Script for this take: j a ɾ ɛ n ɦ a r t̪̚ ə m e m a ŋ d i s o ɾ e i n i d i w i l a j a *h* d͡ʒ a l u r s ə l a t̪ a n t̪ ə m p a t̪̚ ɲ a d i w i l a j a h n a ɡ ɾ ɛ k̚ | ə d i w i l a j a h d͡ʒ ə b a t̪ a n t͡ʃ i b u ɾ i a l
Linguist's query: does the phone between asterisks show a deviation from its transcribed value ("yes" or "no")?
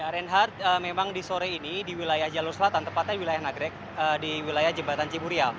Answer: no